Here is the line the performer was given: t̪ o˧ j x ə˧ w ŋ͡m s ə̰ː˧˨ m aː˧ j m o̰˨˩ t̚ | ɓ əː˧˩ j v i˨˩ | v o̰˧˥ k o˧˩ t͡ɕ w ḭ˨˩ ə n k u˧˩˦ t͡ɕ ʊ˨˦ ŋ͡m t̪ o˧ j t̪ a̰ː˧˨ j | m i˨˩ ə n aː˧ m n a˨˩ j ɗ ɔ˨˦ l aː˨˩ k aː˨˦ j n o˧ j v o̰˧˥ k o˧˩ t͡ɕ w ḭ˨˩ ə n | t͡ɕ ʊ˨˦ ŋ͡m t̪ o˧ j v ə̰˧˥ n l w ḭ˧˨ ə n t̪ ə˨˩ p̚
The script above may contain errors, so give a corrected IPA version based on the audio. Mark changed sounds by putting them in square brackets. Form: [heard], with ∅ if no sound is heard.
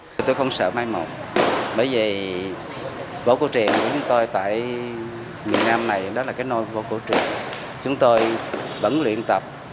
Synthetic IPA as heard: t̪ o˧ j x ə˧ w ŋ͡m s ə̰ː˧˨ m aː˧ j m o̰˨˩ t̚ | ɓ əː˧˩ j v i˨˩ | v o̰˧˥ k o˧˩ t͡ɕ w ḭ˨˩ ə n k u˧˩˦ t͡ɕ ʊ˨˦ ŋ͡m t̪ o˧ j t̪ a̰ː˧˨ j | m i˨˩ ə n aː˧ m n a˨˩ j ɗ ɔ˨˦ l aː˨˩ k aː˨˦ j n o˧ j v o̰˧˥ k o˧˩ t͡ɕ w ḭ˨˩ ə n | t͡ɕ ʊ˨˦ ŋ͡m t̪ o˧ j v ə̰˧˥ n l w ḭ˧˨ ə n t̪ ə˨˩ p̚